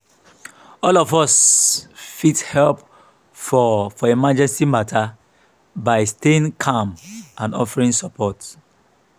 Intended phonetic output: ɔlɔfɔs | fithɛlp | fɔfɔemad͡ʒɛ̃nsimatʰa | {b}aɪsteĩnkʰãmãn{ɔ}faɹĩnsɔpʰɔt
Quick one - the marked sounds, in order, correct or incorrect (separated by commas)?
correct, correct